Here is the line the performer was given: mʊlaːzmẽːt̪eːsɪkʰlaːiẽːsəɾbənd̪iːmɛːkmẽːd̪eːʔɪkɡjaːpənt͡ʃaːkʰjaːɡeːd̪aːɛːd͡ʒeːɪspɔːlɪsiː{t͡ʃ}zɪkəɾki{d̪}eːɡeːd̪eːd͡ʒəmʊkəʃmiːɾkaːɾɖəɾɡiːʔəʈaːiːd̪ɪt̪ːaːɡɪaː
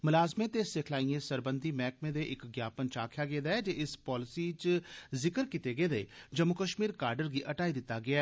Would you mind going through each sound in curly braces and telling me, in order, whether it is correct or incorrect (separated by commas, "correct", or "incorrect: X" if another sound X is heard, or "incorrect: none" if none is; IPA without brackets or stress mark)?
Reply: correct, incorrect: t̪